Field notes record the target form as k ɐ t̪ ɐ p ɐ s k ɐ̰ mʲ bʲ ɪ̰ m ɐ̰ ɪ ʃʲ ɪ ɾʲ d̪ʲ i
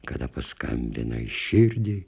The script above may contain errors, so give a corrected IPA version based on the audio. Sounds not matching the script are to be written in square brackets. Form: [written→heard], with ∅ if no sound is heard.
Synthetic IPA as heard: k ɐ [t̪→d̪] ɐ p ɐ s k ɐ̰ mʲ bʲ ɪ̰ [m→n] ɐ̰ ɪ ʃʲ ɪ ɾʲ d̪ʲ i